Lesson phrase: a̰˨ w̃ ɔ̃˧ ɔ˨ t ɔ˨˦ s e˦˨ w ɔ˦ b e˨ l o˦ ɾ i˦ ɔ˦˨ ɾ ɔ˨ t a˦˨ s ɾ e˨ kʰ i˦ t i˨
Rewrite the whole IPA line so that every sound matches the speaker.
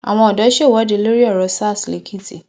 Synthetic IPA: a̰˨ w̃ ɔ̃˧ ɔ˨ d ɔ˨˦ ʃ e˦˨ w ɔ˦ d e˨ l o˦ ɾ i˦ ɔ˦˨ ɾ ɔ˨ s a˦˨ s l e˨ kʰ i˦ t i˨

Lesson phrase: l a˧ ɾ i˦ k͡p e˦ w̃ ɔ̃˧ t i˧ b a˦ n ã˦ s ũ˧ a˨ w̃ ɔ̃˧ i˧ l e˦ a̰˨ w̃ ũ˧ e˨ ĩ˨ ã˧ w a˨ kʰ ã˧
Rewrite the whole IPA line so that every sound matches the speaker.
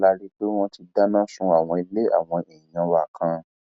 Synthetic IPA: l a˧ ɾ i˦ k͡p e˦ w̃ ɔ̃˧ t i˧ d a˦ n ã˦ s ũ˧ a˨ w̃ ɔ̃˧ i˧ l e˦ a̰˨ w̃ ɔ̃˧ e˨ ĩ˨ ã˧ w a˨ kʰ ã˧

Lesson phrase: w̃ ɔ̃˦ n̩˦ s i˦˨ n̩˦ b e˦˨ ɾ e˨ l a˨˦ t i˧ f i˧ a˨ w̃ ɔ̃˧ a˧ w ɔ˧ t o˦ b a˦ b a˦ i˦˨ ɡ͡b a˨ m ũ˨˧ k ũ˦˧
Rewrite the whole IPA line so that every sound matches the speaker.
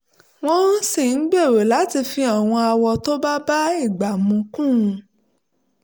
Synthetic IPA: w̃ ɔ̃˦ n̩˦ s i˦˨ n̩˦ ɡ͡b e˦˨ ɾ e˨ l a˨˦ t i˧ f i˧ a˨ w̃ ɔ̃˧ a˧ w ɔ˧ t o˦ b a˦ b a˦ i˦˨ ɡ͡b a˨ m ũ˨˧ k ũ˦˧

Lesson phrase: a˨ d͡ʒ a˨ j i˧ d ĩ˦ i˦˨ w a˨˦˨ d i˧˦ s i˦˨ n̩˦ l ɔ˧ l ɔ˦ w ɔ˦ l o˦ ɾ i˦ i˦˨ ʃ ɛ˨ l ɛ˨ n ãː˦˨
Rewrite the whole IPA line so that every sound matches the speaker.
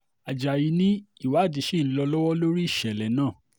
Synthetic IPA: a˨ d͡ʒ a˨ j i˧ n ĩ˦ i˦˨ w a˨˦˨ d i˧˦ ʃ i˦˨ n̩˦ l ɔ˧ l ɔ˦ w ɔ˦ l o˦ ɾ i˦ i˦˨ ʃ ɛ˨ l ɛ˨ n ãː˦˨

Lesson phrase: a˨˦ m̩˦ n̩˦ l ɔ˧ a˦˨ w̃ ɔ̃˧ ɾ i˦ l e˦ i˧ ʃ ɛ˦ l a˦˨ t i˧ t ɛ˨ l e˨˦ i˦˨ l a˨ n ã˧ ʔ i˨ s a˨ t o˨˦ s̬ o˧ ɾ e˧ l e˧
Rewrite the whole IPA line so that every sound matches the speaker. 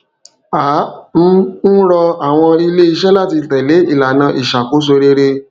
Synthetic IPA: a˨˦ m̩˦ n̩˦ ɾ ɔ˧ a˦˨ w̃ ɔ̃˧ ɾ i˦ l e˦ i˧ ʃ ɛ˦ l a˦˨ t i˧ t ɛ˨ l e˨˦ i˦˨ l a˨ n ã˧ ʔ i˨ ʃ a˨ k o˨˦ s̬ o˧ ɾ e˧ ɾ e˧

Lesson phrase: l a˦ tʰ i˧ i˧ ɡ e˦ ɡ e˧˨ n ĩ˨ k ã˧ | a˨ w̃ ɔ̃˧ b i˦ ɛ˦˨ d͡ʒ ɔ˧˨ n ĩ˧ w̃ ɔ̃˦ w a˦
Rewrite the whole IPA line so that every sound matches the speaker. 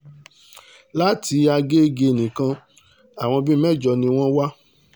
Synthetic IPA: l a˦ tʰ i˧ a˧ ɡ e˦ ɡ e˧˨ n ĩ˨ k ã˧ | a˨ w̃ ɔ̃˧ b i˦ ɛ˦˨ d͡ʒ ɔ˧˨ n ĩ˧ w̃ ɔ̃˦ w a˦

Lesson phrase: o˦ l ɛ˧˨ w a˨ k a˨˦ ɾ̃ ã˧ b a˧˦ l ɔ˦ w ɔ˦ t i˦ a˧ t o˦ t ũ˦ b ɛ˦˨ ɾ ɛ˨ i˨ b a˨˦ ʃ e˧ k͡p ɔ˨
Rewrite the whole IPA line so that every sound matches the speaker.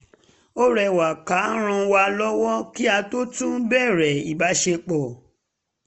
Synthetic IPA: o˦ ɾ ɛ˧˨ w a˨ k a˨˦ ɾ̃ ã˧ w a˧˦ l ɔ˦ w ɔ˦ k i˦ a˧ t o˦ t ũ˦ b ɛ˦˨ ɾ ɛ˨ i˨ b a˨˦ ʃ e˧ k͡p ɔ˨

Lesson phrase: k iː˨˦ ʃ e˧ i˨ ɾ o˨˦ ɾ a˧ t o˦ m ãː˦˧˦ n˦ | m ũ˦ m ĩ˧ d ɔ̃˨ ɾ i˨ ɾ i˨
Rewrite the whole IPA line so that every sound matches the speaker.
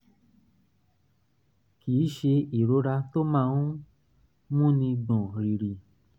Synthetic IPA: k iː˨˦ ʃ e˧ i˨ ɾ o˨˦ ɾ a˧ t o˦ m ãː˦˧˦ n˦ | m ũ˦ n ĩ˧ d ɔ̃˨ ɾ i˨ ɾ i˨

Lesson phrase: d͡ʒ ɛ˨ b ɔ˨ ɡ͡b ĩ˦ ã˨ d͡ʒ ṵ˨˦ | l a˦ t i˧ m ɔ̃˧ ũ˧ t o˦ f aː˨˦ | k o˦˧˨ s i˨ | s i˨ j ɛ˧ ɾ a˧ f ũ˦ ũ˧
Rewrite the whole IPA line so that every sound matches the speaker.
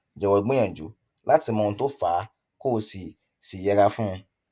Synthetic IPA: d͡ʒ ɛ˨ w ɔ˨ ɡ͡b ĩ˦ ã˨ d͡ʒ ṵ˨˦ | l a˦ t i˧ m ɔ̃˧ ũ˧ t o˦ f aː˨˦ | k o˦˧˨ s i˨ | s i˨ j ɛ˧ ɾ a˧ f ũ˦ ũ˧

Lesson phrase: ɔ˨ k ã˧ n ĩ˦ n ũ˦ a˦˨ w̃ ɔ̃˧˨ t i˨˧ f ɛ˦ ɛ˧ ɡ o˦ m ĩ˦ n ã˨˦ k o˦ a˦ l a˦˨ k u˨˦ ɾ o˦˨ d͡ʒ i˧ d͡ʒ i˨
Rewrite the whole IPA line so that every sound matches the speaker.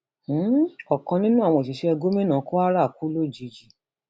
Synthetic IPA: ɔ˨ k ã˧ n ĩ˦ n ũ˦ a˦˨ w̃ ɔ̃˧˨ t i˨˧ ʃ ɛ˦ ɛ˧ ɡ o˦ m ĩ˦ n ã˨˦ k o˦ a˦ ɾ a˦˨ k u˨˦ l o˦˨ d͡ʒ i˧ d͡ʒ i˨

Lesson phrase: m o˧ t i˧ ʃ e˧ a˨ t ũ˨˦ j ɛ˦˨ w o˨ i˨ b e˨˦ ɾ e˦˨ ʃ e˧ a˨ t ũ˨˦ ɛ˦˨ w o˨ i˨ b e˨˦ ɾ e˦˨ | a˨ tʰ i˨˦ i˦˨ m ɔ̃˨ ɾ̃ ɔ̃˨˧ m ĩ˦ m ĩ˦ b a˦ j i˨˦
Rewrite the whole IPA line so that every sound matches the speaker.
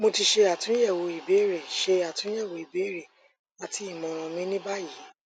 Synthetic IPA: m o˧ t i˧ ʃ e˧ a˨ t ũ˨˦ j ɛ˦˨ w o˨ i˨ b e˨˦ ɾ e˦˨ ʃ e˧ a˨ t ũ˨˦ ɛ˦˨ w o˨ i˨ b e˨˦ ɾ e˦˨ | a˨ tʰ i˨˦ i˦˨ m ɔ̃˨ ɾ̃ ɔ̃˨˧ m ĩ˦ n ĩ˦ b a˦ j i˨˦

